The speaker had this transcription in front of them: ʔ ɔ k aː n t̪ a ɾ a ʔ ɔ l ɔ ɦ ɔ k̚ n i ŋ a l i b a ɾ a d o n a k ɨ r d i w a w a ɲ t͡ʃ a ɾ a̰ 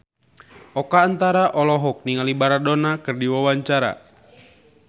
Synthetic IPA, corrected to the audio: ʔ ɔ k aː n t̪ a ɾ a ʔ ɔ l ɔ ɦ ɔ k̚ n i ŋ a l i b a ɾ a d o n a k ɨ r d i w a w a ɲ t͡ʃ a ɾ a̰